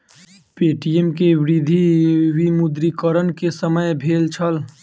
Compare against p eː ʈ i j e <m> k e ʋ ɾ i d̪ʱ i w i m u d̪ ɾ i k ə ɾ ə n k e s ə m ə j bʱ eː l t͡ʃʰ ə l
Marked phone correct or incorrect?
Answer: correct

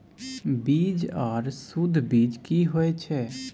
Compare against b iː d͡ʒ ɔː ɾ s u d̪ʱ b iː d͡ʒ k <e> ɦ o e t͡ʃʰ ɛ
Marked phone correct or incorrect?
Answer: incorrect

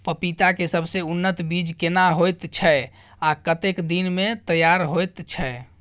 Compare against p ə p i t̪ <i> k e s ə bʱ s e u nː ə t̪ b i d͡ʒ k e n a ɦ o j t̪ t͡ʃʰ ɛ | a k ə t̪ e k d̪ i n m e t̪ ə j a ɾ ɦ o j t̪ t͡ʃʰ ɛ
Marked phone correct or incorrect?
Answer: incorrect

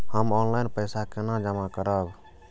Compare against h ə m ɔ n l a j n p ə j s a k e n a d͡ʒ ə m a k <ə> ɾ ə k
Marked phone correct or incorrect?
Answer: correct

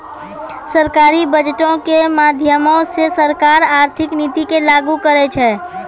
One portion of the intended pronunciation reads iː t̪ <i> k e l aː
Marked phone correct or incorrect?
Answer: correct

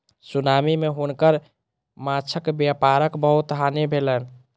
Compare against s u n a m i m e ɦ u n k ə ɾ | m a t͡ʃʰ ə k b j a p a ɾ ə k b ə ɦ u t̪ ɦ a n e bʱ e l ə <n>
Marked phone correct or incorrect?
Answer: correct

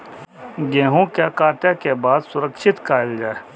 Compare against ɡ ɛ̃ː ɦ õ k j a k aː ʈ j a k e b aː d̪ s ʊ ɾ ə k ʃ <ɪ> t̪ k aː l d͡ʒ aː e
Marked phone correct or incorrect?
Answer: correct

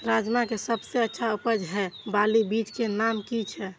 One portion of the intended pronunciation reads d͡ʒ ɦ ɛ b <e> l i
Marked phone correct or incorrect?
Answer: incorrect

